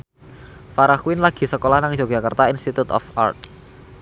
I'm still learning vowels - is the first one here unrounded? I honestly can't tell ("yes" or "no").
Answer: yes